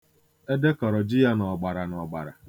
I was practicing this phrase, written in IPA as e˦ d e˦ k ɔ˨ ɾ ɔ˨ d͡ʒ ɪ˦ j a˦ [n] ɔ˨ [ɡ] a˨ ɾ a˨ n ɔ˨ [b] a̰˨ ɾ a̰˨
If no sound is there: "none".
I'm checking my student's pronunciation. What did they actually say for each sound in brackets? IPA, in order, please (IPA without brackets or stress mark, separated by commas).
n, ɡ͡b, ɡ͡b